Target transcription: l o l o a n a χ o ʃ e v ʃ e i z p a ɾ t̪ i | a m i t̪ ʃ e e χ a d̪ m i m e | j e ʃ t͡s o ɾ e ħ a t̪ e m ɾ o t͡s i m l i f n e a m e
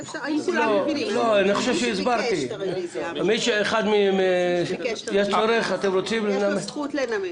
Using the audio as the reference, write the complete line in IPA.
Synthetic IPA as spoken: l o l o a n i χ o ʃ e v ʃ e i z b a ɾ t̪ i | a m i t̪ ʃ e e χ a d̪ m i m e | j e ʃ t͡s o ɾ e χ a t̪ e m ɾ o t͡s i m l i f n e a m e